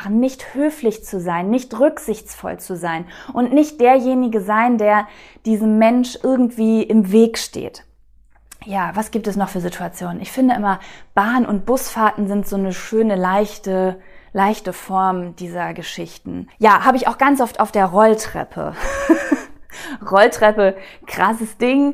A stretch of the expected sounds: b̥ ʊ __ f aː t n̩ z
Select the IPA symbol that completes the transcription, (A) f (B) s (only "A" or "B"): B